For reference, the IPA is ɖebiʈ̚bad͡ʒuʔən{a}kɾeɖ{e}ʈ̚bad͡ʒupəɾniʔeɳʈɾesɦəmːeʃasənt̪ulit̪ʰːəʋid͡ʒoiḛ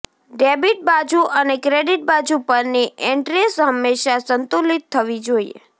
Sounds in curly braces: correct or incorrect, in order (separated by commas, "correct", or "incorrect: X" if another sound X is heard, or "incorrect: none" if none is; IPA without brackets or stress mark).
incorrect: e, incorrect: i